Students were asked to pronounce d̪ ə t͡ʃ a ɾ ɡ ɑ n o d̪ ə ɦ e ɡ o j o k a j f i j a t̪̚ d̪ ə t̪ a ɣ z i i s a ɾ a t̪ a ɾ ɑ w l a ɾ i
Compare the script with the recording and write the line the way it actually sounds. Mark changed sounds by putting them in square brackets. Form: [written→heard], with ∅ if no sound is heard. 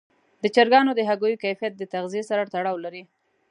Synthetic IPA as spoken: d̪ ə t͡ʃ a ɾ ɡ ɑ n o d̪ ə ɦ [e→a] ɡ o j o k a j f i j a t̪̚ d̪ ə t̪ a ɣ z i [i→e] s a ɾ a t̪ a [ɾ→ɽ] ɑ w l a ɾ i